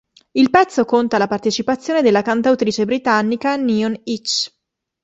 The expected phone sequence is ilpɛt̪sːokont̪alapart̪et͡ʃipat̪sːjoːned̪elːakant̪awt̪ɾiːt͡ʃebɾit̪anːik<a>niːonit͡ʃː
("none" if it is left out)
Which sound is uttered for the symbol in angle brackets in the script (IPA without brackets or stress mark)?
a